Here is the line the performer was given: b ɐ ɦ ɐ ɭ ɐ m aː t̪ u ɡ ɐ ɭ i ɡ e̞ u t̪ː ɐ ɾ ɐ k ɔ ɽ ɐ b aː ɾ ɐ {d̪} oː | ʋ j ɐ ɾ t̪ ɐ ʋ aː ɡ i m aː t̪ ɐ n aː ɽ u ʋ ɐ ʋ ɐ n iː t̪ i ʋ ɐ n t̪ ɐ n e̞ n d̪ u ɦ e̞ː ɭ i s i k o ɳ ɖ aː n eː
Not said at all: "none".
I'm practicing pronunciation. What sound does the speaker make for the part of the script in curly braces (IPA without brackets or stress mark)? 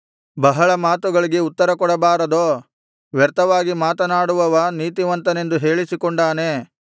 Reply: d̪